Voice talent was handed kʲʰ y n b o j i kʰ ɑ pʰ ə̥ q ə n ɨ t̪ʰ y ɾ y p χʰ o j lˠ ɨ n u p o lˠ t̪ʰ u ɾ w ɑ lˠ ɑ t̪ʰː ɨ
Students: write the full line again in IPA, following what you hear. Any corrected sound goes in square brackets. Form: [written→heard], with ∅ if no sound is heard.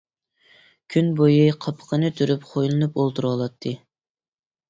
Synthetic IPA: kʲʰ y n b o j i [kʰ→qʰ] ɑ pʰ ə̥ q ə n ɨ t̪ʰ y ɾ y p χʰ o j lˠ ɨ n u p o lˠ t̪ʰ u ɾ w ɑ lˠ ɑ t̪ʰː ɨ